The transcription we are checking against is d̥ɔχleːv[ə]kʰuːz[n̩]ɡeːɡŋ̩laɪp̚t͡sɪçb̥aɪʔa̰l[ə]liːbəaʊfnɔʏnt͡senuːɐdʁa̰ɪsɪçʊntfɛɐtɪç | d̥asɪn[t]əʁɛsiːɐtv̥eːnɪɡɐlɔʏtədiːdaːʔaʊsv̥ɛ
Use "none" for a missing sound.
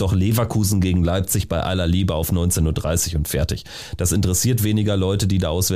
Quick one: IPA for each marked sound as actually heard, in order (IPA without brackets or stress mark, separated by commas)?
a, n̩, ɐ, t